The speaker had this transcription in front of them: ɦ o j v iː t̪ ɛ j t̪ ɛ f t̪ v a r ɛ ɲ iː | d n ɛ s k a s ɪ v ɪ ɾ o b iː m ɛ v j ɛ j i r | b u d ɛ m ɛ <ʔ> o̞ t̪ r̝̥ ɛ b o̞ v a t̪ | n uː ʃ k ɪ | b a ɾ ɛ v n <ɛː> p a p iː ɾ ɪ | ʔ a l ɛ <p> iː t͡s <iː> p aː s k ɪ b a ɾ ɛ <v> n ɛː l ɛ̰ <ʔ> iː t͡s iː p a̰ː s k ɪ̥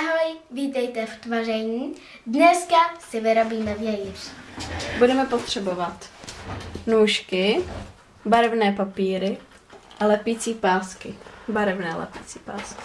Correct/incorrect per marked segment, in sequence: incorrect, correct, correct, correct, correct, incorrect

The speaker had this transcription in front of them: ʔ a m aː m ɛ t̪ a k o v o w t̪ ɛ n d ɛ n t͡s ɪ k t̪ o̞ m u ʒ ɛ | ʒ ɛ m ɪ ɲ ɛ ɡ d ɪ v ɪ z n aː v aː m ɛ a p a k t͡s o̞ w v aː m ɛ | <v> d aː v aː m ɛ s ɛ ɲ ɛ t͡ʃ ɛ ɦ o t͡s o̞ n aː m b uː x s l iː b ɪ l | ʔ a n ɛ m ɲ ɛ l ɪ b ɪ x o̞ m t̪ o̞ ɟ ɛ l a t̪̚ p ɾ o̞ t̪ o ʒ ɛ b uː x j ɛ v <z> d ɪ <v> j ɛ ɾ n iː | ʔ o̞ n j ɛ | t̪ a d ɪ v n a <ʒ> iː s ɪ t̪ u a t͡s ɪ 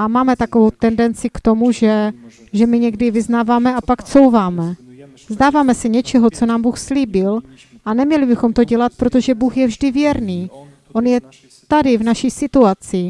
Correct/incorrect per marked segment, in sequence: incorrect, incorrect, correct, incorrect

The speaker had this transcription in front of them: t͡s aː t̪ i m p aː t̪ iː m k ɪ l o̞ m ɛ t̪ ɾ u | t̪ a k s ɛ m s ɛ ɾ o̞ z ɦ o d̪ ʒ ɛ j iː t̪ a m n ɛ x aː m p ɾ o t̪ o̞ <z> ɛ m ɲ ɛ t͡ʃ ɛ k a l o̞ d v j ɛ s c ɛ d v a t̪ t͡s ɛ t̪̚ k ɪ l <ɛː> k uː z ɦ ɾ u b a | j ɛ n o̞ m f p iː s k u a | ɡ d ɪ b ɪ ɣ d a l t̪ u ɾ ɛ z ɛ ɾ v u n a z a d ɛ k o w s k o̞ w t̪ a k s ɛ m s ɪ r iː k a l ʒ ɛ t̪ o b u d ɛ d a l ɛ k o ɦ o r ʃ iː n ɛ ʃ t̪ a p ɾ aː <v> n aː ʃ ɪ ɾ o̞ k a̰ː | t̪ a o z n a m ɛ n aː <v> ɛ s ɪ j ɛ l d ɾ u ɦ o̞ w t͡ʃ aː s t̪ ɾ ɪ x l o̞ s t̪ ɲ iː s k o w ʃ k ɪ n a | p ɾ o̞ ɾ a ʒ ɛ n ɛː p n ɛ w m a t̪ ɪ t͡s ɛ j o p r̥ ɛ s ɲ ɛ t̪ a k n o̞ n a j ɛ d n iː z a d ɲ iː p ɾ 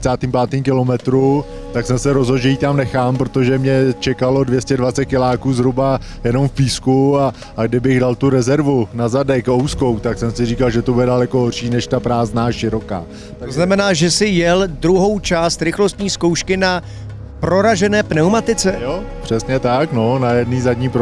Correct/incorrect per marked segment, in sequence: incorrect, incorrect, incorrect, incorrect

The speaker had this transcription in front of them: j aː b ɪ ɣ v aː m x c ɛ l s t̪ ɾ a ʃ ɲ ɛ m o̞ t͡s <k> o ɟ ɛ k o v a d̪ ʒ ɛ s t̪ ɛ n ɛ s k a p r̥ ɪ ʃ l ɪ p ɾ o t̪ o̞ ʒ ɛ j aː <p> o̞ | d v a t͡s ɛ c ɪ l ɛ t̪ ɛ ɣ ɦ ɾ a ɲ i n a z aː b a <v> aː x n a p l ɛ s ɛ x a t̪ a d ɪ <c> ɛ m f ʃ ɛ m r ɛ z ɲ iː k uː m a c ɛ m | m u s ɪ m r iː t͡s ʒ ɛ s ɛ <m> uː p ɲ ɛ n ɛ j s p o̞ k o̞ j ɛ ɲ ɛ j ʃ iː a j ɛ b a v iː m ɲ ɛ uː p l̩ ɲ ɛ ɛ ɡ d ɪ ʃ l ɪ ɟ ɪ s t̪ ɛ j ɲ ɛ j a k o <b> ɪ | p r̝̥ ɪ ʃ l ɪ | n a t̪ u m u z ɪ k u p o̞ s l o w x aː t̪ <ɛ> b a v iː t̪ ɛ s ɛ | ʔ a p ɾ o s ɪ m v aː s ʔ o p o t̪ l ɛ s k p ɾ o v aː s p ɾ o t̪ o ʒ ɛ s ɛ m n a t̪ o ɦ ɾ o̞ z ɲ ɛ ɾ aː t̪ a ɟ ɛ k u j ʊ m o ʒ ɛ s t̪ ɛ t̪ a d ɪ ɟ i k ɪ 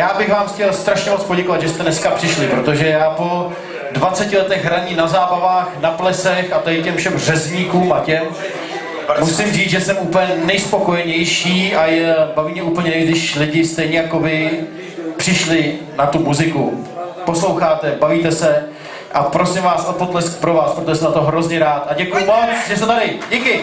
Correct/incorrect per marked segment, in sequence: incorrect, correct, correct, correct, correct, incorrect, correct

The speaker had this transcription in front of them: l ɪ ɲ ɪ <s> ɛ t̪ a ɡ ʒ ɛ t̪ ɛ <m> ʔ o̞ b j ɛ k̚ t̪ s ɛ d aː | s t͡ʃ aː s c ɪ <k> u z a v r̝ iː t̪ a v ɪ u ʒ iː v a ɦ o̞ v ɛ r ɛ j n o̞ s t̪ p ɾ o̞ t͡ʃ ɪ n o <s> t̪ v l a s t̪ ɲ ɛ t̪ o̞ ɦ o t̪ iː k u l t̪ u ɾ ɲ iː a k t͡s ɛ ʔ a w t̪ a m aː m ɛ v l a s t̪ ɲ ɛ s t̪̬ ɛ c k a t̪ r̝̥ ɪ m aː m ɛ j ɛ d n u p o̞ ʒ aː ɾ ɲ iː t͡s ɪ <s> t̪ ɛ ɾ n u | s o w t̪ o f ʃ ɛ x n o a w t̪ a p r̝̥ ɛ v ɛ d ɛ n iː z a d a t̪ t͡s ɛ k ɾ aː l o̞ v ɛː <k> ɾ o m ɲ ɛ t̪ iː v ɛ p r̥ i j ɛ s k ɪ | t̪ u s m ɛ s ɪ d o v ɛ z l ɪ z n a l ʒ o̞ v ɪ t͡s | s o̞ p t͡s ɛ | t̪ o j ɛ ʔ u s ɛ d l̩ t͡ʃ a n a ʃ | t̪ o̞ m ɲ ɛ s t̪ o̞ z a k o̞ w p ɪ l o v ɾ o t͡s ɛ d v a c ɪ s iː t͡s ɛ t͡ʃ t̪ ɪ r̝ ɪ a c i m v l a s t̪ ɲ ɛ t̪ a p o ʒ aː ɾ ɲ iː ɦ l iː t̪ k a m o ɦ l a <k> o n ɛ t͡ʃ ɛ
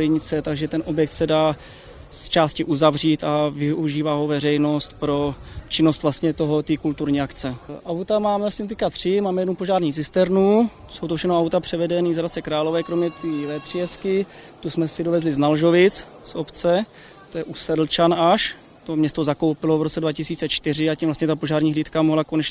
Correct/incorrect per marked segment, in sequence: incorrect, incorrect, incorrect, correct, correct, correct, correct

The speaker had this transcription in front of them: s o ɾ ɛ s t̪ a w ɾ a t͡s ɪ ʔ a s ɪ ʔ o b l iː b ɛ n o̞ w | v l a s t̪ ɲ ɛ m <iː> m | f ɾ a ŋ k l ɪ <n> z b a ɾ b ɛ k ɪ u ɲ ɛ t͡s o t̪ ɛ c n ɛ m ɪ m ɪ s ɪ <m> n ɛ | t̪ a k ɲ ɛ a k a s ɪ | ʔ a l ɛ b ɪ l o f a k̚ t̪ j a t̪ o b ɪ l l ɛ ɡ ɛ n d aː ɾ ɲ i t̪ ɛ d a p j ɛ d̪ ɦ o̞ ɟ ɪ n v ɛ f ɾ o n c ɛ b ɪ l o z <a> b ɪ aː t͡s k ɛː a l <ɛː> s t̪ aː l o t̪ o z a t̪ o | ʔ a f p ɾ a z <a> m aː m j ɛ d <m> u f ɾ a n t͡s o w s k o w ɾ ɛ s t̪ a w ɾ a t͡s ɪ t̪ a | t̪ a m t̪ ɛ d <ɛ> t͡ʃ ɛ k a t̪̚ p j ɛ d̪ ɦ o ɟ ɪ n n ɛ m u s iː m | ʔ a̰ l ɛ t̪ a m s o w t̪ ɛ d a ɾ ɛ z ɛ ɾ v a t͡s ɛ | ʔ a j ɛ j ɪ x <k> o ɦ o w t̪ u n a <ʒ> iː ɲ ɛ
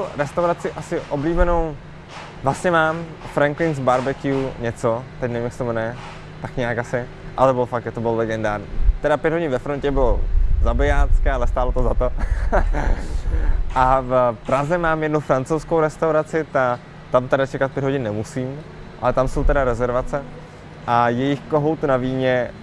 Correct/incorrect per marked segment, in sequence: incorrect, correct, correct, correct, incorrect, incorrect, incorrect, incorrect, correct, incorrect

